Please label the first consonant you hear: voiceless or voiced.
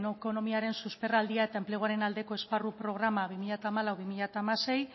voiced